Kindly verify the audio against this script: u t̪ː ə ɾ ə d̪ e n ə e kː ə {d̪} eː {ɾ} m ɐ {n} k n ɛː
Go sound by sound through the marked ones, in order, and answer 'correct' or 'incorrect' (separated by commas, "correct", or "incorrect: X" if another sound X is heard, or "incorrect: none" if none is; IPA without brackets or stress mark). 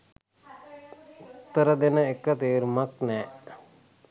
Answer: incorrect: t̪, correct, incorrect: none